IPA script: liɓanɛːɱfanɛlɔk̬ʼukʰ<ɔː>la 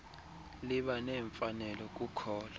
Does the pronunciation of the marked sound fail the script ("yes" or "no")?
no